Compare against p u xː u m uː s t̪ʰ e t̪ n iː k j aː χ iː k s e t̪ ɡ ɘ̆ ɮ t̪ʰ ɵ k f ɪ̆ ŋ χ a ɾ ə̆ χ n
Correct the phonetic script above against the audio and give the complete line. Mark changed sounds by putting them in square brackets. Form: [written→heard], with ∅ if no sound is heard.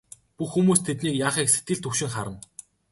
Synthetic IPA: p u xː u m uː s t̪ʰ e t̪ n iː k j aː χ iː k s e t̪ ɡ ɘ̆ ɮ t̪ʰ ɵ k [f→ʃ] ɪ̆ ŋ χ a ɾ ə̆ [χ→∅] n